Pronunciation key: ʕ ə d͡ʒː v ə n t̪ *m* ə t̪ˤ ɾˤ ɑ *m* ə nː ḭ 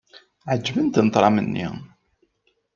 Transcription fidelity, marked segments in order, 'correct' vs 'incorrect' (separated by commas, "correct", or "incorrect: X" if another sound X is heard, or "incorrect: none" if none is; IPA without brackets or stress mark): incorrect: n, correct